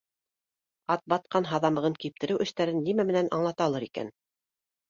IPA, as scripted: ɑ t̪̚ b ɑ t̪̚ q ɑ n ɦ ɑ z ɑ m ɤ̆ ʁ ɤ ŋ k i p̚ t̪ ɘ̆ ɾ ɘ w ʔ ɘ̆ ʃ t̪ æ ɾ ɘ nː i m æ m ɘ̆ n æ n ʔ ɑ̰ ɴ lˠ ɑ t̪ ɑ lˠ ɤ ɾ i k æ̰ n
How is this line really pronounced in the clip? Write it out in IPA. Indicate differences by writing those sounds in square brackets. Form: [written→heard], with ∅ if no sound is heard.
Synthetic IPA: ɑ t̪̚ b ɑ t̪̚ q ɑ n ɦ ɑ [z→ð] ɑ m ɤ̆ ʁ ɤ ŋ k i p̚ t̪ ɘ̆ ɾ ɘ w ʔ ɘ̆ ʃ t̪ æ ɾ ɘ nː i m æ m ɘ̆ n æ n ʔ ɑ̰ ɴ lˠ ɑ t̪ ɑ lˠ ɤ ɾ i k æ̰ n